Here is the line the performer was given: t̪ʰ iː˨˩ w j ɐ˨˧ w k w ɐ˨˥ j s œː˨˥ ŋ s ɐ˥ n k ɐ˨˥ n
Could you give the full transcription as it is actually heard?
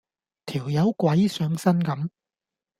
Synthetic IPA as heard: t̪ʰ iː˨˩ w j ɐ˨˧ w k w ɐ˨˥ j s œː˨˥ ŋ s ɐ˥ n k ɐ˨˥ m